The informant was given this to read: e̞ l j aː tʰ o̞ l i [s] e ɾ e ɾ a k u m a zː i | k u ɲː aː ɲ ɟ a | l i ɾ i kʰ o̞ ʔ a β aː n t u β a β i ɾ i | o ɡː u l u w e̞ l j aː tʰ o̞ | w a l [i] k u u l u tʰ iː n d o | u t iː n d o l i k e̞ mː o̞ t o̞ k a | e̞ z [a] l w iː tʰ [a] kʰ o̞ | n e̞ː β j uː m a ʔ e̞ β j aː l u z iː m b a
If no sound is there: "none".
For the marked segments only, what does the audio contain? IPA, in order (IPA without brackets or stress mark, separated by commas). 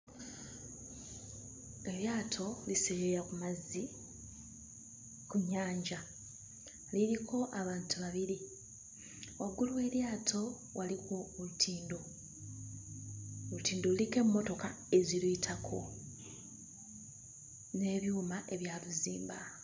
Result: s, i, i, a